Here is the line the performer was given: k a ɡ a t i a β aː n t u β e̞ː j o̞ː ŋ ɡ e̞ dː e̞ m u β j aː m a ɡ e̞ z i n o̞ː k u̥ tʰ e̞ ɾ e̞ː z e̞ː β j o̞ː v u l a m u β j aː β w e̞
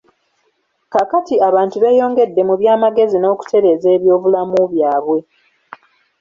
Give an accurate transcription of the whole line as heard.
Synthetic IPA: k a k a t i a β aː n t u β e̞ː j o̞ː ŋ ɡ e̞ dː e̞ m u β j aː m a ɡ e̞ z i n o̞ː k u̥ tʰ e̞ ɾ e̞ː z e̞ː β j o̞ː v u l a m u β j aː β w e̞

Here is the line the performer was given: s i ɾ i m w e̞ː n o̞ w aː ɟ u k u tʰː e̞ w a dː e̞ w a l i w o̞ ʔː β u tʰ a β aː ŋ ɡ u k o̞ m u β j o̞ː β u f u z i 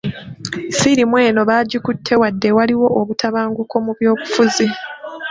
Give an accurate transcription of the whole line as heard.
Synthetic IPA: s i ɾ i m w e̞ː n o̞ β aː ɟ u k u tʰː e̞ w a dː e̞ w a l i w o̞ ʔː β u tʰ a β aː ŋ ɡ u k o̞ m u β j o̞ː β u f u z i

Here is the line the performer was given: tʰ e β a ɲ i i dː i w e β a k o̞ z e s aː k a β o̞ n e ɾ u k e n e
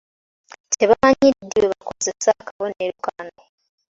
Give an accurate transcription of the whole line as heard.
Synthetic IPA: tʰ e β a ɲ i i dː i w e β a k o̞ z e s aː k a β o̞ n e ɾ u k a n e

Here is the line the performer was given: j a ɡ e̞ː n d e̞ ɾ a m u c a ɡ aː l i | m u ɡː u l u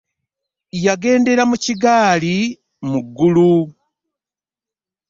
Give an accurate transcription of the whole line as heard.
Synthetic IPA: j a ɡ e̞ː n d e̞ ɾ a m u c i ɡ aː l i | m u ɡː u l u

